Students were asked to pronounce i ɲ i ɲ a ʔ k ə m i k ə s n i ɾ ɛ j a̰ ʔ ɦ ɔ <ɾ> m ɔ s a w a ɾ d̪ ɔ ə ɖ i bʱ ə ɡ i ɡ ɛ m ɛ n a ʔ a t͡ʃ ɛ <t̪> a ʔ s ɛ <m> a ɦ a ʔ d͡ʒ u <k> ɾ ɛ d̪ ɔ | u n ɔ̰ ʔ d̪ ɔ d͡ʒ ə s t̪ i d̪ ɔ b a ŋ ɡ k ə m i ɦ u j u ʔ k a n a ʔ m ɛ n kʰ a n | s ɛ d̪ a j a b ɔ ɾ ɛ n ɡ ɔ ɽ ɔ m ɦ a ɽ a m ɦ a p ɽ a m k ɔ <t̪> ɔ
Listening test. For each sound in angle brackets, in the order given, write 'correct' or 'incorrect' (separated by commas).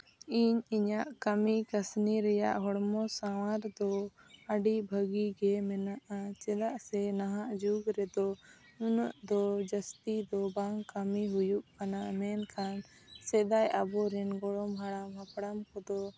incorrect, incorrect, incorrect, incorrect, incorrect